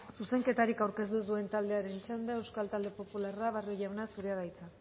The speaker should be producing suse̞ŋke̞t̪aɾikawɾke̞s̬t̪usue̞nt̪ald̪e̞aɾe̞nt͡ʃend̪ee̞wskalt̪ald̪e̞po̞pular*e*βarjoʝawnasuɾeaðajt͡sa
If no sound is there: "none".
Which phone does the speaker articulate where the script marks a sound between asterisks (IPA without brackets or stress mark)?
a